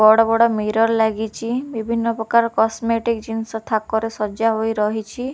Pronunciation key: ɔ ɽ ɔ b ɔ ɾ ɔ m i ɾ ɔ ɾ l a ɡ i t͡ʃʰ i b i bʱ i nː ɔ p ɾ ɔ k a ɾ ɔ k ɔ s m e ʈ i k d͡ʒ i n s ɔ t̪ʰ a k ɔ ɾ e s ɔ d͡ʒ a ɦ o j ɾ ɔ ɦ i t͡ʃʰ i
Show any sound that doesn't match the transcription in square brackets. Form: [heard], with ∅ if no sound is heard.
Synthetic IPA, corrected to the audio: ɔ ɽ ɔ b ɔ [ɽ] ɔ m i ɾ ɔ ɾ l a ɡ i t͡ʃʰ i b i bʱ i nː ɔ p ɾ ɔ k a ɾ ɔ k ɔ s m e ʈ i k d͡ʒ i n s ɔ t̪ʰ a k ɔ ɾ e s ɔ d͡ʒ a ɦ o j ɾ ɔ ɦ i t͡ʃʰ i